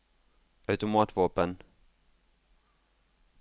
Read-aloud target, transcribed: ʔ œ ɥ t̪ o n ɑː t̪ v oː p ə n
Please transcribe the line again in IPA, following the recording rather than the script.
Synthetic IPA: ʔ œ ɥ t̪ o m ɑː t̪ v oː p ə n